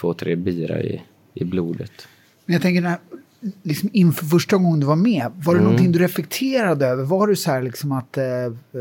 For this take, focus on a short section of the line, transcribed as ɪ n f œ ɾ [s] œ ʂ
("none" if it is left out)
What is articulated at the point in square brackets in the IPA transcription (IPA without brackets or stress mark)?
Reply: f